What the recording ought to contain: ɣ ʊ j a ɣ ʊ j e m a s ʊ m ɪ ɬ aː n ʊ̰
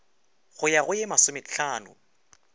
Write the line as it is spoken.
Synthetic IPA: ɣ ʊ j a ɣ ʊ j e m a s ʊ m ɪ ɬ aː n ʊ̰